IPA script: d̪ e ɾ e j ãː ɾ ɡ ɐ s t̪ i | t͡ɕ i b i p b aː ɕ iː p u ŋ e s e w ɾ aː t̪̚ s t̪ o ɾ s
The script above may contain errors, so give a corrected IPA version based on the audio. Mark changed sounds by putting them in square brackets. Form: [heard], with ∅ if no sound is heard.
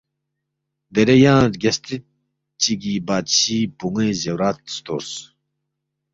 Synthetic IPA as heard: d̪ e ɾ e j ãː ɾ ɡ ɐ s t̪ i | t͡ɕ i [ɡ] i [∅] b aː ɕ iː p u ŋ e [z] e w ɾ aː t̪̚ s t̪ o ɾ s